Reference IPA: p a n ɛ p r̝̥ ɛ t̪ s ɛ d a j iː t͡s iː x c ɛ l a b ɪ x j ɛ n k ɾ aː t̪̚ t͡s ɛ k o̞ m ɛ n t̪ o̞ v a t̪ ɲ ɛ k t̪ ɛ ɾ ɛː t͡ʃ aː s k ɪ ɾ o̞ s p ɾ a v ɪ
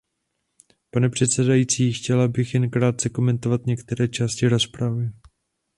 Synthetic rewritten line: p a n ɛ p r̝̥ ɛ t̪ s ɛ d a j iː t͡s iː x c ɛ l a b ɪ x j ɛ n k ɾ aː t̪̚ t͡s ɛ k o̞ m ɛ n t̪ o̞ v a t̪ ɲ ɛ k t̪ ɛ ɾ ɛː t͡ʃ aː s c ɪ ɾ o̞ s p ɾ a v ɪ